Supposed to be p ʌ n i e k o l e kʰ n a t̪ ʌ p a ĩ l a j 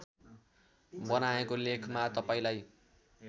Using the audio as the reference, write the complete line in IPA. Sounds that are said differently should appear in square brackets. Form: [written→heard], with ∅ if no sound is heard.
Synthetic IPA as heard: [p→b] ʌ n [i→a] e k o l e kʰ [n→m] a t̪ ʌ p a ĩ l a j